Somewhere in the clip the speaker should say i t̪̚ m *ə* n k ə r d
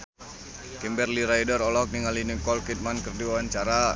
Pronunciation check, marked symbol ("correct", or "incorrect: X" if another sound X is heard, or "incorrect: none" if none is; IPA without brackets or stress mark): incorrect: a